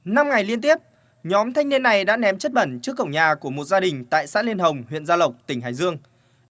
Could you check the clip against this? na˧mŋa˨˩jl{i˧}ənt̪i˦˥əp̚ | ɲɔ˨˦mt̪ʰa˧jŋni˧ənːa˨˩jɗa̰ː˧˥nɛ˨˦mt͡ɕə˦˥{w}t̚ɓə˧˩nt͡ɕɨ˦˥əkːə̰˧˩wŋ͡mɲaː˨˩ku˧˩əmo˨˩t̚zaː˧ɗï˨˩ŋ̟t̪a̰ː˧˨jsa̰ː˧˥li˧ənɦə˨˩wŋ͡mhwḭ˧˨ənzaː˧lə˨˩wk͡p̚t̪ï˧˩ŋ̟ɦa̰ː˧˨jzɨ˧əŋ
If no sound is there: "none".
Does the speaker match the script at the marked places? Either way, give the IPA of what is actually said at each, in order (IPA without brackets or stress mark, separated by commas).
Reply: i˧, none